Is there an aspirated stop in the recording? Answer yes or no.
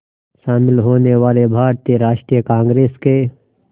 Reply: no